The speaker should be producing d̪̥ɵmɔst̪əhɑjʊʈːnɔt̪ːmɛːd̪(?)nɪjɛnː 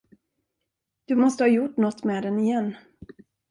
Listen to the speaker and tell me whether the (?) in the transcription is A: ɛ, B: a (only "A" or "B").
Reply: A